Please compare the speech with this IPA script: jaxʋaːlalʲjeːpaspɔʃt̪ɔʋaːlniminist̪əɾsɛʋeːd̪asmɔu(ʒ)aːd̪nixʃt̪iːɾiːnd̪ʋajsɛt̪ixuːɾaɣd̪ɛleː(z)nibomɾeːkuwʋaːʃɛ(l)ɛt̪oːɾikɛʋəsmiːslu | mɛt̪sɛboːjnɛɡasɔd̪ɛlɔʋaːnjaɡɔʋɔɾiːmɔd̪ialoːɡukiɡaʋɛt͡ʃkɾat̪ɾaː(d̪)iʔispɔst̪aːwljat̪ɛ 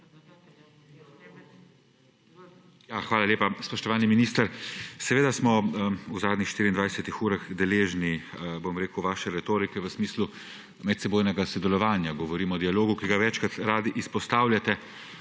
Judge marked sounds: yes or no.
no, no, no, yes

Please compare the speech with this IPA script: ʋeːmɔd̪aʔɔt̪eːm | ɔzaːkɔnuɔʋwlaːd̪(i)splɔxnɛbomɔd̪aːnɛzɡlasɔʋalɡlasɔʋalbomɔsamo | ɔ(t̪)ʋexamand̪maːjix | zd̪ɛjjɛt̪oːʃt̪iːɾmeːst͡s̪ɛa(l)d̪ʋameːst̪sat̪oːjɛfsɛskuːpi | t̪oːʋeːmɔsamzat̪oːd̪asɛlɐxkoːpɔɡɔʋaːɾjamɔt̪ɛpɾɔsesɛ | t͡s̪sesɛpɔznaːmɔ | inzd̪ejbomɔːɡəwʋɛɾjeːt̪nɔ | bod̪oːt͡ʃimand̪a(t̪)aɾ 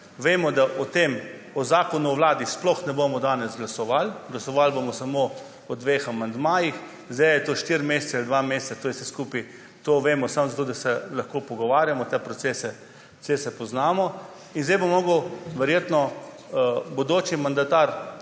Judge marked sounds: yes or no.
yes, no, yes, yes

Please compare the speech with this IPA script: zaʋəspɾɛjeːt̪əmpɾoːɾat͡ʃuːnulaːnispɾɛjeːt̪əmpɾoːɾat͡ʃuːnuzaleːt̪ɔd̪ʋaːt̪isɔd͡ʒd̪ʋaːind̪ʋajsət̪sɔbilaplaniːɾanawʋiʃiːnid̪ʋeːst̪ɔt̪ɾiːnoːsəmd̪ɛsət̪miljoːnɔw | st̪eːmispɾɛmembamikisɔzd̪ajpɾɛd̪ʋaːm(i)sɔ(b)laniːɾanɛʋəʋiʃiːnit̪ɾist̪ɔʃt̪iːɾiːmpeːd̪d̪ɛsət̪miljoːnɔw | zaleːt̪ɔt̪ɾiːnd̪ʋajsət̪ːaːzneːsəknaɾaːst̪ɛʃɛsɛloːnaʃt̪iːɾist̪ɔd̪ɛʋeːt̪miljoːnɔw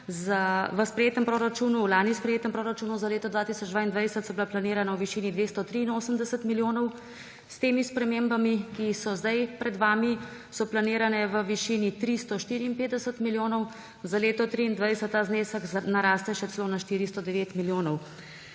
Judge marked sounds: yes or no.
yes, no

